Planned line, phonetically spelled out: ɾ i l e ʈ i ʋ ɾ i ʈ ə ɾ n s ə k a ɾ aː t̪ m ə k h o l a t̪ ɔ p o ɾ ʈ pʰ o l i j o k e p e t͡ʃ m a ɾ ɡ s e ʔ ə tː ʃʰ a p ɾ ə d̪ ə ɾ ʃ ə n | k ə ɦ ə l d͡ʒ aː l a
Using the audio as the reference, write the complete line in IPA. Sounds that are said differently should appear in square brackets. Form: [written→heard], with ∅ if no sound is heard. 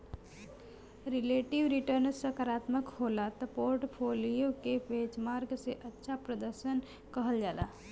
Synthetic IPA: ɾ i l e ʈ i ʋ ɾ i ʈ ə ɾ n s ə k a ɾ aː t̪ m ə k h o l a t̪ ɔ p o ɾ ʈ pʰ o l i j o k e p e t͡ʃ m a ɾ ɡ s e ʔ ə tː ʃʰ a p ɾ ə d̪ ə ɾ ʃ ə n | k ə ɦ ə l d͡ʒ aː l a